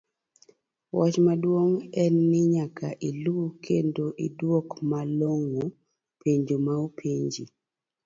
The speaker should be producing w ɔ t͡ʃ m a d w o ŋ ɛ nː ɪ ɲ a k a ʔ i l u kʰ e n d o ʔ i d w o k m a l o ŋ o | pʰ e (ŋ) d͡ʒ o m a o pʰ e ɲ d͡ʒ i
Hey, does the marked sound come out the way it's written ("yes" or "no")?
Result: no